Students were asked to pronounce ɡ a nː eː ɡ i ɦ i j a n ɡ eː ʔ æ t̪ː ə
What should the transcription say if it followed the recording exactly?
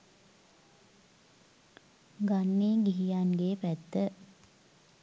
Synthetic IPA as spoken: ɡ a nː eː ɡ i ɦ i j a n ɡ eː p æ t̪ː ə